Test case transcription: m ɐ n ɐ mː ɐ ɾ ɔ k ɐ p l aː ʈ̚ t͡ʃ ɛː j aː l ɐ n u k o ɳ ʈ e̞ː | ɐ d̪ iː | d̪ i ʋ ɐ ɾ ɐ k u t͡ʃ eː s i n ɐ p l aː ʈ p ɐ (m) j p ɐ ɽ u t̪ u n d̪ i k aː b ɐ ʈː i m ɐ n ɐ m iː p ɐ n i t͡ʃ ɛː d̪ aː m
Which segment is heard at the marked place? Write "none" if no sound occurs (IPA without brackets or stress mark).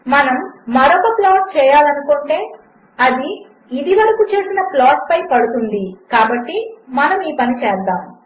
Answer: none